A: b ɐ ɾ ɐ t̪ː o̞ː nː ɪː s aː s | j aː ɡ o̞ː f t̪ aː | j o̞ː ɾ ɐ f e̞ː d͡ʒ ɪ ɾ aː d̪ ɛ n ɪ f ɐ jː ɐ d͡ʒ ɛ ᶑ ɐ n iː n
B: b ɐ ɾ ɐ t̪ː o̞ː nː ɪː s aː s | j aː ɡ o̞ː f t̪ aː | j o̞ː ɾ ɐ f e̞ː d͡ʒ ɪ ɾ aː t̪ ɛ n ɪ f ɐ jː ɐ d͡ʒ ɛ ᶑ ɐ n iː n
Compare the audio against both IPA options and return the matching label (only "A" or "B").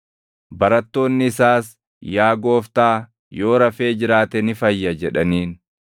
B